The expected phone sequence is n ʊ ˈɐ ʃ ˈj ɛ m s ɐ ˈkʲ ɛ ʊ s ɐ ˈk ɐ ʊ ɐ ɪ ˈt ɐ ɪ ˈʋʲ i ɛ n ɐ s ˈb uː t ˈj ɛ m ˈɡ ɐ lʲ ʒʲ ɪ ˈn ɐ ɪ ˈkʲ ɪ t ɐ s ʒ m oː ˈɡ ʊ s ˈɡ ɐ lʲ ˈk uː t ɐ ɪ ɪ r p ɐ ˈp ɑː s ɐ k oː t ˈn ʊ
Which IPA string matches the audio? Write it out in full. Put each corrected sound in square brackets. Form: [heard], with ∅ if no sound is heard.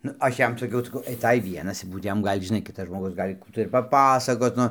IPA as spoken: n ʊ ˈɐ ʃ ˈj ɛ m s ɐ ˈkʲ ɛ ʊ s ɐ ˈk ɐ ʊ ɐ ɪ ˈt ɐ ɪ ˈʋʲ i ɛ n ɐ s ˈb uː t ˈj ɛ m ˈɡ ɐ lʲ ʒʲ ɪ ˈn ɐ ɪ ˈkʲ ɪ t ɐ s ʒ m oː ˈɡ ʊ s ˈɡ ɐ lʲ ˈk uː t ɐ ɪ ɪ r p ɐ ˈp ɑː s ɐ k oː t ˈn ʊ